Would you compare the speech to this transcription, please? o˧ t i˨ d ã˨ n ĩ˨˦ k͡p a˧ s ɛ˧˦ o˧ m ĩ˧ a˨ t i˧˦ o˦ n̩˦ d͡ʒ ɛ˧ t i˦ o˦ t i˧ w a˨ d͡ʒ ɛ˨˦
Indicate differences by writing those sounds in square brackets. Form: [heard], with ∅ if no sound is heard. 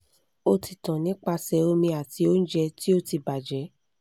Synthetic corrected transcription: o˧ t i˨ [t] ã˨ n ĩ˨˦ k͡p a˧ s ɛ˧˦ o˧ m ĩ˧ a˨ t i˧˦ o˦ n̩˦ d͡ʒ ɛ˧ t i˦ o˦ t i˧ [b] a˨ d͡ʒ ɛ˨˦